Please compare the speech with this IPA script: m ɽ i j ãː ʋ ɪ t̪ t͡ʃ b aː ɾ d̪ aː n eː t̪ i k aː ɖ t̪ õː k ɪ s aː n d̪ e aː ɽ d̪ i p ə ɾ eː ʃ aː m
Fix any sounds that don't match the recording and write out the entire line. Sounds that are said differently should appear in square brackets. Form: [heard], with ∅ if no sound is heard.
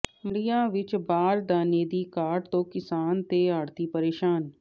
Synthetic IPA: m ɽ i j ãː ʋ ɪ [∅] t͡ʃ b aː ɾ d̪ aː n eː [d̪] i k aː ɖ t̪ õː k ɪ s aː n [t̪] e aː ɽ [t̪] i p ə ɾ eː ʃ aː [n]

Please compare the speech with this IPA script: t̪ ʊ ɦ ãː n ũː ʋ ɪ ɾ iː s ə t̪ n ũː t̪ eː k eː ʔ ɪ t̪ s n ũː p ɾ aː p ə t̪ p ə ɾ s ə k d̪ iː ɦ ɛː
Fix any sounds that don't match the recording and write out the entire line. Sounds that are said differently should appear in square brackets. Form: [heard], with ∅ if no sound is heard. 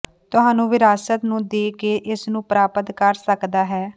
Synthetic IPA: t̪ ʊ ɦ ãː n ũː ʋ ɪ ɾ [aː] s ə t̪ n ũː [d̪] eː k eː ʔ ɪ [∅] s n ũː p ɾ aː p ə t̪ [k] ə ɾ s ə k d̪ [aː] ɦ ɛː

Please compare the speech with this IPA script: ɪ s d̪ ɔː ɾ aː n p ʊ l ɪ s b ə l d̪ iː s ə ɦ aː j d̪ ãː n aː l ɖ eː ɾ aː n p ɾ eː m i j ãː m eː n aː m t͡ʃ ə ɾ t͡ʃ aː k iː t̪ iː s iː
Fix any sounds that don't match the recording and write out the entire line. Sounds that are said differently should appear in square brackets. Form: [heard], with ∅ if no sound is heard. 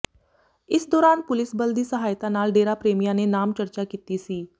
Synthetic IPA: ɪ s d̪ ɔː ɾ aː n p ʊ l ɪ s b ə l d̪ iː s ə ɦ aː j [t̪] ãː n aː l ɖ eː ɾ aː [∅] p ɾ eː m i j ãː [n] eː n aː m t͡ʃ ə ɾ t͡ʃ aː k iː t̪ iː s iː

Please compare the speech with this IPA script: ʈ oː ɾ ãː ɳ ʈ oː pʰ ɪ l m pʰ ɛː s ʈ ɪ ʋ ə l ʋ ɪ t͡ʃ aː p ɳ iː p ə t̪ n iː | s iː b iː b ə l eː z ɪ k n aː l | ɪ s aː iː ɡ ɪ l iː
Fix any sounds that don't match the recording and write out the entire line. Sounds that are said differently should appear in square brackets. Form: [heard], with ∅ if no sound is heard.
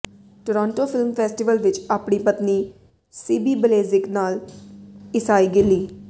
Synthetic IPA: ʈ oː ɾ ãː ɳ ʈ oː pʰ ɪ l m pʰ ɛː s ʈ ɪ ʋ ə l ʋ ɪ t͡ʃ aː p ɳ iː p ə t̪ n iː | s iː b iː b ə l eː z ɪ k n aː l | ɪ s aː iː ɡ ɪ l iː

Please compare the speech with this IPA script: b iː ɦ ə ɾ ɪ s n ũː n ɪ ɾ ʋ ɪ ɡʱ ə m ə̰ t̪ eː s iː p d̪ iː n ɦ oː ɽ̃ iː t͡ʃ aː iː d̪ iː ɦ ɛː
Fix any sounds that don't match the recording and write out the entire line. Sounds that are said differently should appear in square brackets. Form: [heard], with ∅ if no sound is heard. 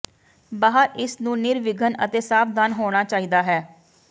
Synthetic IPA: b [aː] ɦ ə ɾ ɪ s n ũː n ɪ ɾ ʋ ɪ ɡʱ ə [n] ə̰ t̪ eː s [aː] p d̪ [aː] n ɦ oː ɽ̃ [aː] t͡ʃ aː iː d̪ [aː] ɦ ɛː

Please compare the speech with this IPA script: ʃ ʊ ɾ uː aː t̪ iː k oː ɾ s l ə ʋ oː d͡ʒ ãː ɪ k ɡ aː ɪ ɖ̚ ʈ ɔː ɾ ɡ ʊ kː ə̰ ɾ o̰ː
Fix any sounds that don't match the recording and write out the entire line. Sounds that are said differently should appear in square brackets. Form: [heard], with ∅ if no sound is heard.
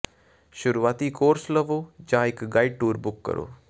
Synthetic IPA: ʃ ʊ ɾ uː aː t̪ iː k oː ɾ s l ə ʋ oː d͡ʒ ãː ɪ k ɡ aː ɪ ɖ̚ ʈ [uː] ɾ [b] ʊ kː ə̰ ɾ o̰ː

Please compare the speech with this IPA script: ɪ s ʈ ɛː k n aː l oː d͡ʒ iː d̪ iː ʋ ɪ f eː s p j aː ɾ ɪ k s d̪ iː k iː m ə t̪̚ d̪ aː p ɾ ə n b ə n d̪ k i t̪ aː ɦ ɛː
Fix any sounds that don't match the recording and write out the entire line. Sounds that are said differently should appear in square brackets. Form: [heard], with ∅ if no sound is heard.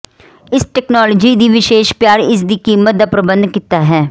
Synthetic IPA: ɪ s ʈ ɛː k n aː l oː d͡ʒ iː d̪ iː ʋ ɪ [ʃ] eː [ʃ] p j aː ɾ ɪ [∅] s d̪ iː k iː m ə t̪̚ d̪ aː p ɾ ə [∅] b ə n d̪ k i t̪ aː ɦ ɛː

